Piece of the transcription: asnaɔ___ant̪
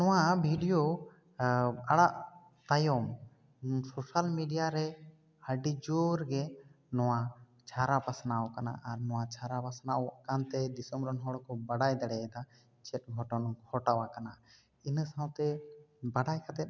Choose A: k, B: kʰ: A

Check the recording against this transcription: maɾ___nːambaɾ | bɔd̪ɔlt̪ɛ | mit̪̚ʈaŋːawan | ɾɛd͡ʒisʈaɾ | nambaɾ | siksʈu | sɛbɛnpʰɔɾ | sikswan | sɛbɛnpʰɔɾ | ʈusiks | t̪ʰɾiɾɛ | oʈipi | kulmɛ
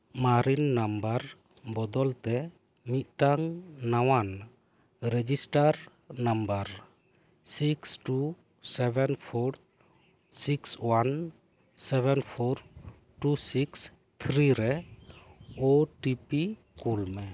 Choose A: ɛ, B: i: B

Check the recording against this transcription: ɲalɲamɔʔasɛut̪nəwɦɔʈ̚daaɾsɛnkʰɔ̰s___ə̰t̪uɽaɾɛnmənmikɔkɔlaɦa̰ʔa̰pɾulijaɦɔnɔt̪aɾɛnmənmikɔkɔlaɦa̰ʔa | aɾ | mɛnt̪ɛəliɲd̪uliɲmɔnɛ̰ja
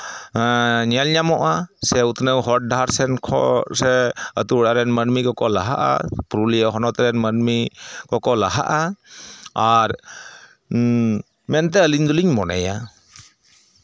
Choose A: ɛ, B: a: A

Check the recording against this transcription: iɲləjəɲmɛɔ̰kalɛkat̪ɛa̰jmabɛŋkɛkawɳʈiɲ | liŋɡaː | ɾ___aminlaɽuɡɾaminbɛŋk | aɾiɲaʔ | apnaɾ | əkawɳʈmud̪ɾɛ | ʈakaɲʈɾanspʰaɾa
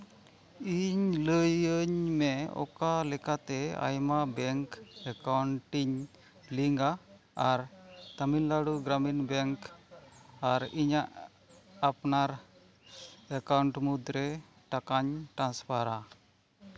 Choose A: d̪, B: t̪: B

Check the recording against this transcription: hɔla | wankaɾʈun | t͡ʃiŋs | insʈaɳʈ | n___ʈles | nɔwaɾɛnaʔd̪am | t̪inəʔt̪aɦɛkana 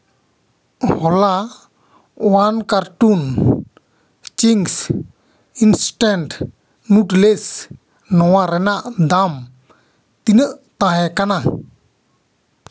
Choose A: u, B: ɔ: A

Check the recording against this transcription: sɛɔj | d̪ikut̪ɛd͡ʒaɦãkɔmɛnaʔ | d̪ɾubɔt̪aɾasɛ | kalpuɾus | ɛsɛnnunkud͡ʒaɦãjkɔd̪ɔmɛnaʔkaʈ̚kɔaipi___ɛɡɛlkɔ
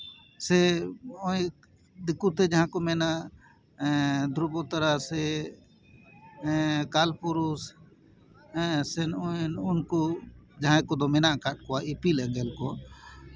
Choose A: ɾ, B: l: B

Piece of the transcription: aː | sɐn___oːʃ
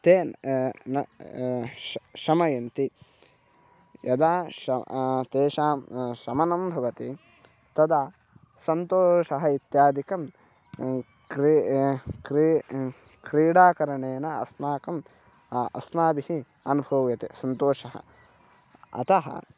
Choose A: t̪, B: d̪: A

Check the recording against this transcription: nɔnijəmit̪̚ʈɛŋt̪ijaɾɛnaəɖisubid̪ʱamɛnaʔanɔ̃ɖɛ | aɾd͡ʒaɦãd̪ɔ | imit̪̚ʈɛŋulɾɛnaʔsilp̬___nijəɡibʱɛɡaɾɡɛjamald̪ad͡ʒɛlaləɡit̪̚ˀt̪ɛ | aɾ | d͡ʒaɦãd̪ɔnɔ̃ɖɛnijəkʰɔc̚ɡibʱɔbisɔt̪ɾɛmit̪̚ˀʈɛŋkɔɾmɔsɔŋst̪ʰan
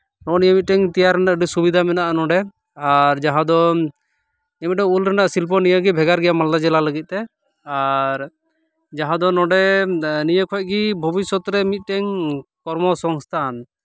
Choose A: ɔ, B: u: A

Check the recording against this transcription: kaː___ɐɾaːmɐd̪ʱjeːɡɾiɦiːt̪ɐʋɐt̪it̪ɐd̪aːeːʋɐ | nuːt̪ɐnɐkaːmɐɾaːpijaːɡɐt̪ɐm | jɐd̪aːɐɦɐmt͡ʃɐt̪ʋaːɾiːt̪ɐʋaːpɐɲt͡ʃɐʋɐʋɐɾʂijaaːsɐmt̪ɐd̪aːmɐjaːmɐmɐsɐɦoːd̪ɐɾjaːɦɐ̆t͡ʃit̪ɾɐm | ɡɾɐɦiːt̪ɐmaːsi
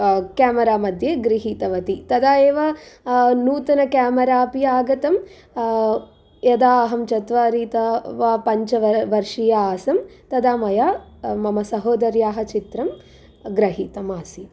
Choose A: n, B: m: B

